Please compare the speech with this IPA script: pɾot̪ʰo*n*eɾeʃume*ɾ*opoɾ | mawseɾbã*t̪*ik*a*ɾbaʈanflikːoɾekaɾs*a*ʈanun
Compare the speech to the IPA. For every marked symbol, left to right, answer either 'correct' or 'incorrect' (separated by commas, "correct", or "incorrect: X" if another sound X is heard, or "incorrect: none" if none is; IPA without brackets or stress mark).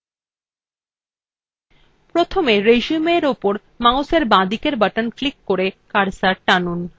incorrect: m, correct, incorrect: d̪, incorrect: e, correct